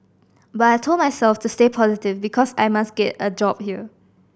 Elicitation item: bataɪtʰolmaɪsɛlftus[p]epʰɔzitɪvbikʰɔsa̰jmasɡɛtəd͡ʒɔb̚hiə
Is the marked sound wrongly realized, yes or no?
yes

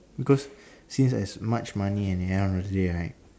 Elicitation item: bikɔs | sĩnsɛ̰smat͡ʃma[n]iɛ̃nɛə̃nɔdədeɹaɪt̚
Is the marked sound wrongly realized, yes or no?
no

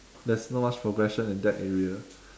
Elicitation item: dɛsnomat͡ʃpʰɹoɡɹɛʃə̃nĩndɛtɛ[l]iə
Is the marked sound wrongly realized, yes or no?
yes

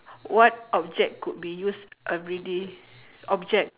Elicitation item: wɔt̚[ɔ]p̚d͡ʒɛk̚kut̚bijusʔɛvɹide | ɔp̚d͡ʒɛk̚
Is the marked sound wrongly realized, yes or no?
no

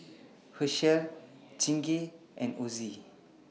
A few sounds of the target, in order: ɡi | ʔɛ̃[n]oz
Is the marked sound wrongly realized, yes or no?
no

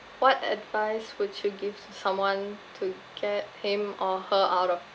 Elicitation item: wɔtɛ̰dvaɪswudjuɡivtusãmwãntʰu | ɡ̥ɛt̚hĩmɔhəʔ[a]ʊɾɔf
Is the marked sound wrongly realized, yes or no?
no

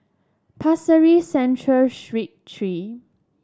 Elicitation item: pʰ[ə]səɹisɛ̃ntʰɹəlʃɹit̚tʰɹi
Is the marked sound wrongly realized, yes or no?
yes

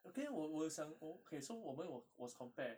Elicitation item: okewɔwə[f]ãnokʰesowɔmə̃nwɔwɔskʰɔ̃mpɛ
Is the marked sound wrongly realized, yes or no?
yes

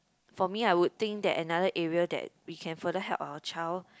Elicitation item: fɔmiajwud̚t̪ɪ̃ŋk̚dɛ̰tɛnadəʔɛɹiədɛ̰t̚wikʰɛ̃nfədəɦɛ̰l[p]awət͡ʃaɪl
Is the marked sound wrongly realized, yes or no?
no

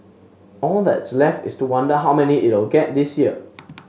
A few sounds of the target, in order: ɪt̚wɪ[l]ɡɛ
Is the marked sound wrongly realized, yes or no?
no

